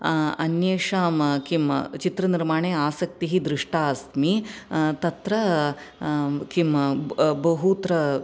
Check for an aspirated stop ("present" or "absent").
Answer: absent